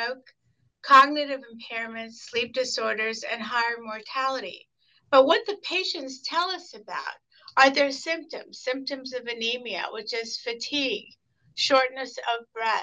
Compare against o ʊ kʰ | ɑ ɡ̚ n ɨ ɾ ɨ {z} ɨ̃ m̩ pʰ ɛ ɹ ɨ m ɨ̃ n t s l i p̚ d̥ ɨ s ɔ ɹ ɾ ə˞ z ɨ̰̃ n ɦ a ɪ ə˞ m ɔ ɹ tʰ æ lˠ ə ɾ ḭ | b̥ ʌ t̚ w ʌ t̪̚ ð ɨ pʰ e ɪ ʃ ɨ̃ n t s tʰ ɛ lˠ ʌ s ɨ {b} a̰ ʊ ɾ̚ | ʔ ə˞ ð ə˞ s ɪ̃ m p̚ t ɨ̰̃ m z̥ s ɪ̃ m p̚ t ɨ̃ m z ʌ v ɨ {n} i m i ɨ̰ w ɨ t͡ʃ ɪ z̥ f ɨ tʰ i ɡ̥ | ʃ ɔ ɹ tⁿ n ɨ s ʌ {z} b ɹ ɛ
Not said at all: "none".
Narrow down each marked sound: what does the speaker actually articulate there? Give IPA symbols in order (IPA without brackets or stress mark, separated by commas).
v, b, n, v